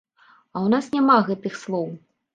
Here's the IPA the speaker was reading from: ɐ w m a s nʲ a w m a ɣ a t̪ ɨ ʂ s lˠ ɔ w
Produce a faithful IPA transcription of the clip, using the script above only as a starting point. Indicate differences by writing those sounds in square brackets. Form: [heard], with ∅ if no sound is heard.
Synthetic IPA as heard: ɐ w [n] a s nʲ a [∅] m a ɣ [ɛ] t̪ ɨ [x] s lˠ ɔ w